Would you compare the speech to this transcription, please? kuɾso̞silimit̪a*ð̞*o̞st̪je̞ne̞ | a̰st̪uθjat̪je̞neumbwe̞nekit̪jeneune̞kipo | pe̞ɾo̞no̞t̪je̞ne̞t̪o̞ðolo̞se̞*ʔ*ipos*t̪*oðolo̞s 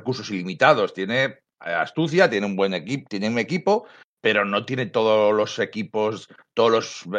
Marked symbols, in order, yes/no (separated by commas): yes, no, yes